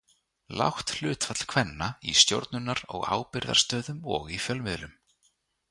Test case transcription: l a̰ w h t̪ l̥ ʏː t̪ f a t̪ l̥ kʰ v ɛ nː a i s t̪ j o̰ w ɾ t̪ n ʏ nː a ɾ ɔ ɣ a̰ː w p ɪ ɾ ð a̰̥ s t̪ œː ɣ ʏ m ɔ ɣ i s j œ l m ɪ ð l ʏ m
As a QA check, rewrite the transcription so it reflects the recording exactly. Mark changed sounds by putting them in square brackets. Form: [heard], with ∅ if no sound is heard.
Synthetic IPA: l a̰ w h t̪ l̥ ʏː t̪ f a t̪ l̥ kʰ v ɛ nː a i s t̪ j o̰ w ɾ t̪ n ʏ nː a ɾ ɔ ɣ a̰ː w p ɪ ɾ ð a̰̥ s t̪ œː [ð] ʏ m ɔ ɣ i [f] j œ l m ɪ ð l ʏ m